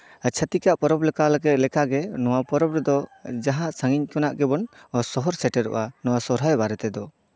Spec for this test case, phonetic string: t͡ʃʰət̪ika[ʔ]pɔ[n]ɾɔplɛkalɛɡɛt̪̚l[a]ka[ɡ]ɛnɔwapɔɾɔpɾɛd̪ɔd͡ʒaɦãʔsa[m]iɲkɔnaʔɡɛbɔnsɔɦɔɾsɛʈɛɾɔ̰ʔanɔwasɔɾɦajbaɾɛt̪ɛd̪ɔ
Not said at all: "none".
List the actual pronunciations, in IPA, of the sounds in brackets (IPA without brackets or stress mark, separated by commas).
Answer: ʔ, none, ɛ, ɡ, ŋ